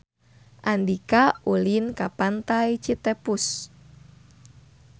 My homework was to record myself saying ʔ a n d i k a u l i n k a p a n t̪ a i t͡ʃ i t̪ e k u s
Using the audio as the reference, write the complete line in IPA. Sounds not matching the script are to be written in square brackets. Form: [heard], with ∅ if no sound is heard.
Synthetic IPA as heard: ʔ a n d i k a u l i n k a p a n t̪ a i t͡ʃ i t̪ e [p] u s